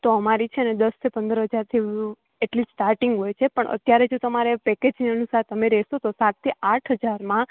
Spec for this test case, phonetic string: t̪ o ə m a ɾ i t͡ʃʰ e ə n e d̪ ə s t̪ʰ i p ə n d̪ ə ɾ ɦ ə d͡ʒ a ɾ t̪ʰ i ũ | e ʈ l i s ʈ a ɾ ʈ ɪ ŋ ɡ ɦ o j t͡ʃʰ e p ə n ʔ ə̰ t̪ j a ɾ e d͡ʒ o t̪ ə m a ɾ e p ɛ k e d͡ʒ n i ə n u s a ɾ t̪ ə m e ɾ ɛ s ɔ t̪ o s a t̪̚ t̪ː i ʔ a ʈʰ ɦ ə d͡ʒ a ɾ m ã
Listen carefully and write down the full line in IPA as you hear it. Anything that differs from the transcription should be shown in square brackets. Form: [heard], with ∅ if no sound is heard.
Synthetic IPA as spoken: t̪ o ə m a ɾ i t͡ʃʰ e ə n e d̪ ə s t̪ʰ i p ə n d̪ ə ɾ ɦ ə d͡ʒ a ɾ t̪ʰ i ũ | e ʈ l i s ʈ a ɾ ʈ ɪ ŋ ɡ ɦ o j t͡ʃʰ e p ə [ɳ] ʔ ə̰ t̪ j a ɾ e d͡ʒ o t̪ ə m a ɾ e p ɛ k e d͡ʒ n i ə n u s a ɾ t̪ ə m e ɾ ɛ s [o] t̪ o s a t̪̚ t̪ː i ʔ a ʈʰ ɦ ə d͡ʒ a ɾ m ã